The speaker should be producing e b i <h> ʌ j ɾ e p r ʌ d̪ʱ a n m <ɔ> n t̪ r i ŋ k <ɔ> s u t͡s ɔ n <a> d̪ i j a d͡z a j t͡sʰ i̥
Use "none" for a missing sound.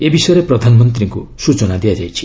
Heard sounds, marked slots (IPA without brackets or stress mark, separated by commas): s, ʌ, o, a